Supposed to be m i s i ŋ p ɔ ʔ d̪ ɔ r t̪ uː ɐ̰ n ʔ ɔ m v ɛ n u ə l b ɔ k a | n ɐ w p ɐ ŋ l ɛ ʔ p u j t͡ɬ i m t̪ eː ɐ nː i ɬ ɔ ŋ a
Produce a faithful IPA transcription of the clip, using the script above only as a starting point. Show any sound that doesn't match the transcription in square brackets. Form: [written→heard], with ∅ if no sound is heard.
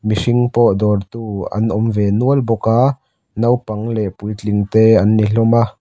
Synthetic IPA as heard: m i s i ŋ p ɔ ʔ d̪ ɔ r t̪ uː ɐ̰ n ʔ ɔ m v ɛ n u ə l b ɔ k a | n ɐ w p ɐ ŋ l ɛ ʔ p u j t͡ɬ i [m→ŋ] t̪ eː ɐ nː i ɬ ɔ [ŋ→m] a

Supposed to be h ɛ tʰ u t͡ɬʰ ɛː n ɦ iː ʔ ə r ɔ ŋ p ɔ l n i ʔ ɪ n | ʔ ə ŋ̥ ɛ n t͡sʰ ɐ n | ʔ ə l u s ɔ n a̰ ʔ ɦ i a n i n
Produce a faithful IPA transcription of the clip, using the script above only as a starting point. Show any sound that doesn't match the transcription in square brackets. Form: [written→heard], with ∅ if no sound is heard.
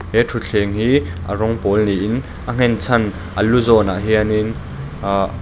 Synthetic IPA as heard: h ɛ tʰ u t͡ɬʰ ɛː [n→ŋ] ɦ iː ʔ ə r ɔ ŋ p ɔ l n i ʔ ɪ n | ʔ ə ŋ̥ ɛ n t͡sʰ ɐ n | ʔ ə l u [s→z] ɔ n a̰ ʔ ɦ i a n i n

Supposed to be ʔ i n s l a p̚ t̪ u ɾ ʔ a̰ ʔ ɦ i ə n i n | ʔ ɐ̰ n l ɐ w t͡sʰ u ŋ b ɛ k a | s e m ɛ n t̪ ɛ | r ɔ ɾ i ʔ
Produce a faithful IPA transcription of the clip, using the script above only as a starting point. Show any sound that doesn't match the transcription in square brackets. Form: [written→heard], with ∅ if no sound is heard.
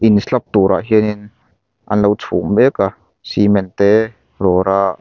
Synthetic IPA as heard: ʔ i n s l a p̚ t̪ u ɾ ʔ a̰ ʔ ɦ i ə n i n | ʔ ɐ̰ n l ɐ w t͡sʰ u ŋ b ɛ k a | s [e→i] m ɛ n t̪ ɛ | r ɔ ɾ [i→a] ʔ

